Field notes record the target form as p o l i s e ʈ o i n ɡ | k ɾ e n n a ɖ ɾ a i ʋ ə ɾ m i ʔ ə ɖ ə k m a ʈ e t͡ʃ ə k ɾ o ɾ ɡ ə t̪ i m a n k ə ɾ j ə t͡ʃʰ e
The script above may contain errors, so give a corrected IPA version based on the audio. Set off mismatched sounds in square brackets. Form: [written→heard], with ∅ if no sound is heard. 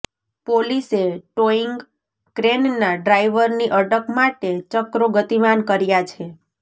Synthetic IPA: p o l i s e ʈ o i [n→ŋ] ɡ | k ɾ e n n a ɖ ɾ a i ʋ ə ɾ [m→n] i ʔ ə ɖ ə k m a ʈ e t͡ʃ ə k ɾ o [ɾ→∅] ɡ ə t̪ i m a n k ə ɾ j [ə→a] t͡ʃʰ e